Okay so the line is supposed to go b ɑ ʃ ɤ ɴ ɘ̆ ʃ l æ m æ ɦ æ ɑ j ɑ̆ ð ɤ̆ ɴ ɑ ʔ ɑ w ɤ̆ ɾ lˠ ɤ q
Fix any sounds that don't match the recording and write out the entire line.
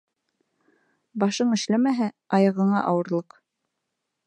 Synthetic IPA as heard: b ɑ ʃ ɤ ɴ ɘ̆ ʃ l æ m æ ɦ æ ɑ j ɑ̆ ʁ ɤ̆ ɴ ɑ ʔ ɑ w ɤ̆ ɾ lˠ ɤ q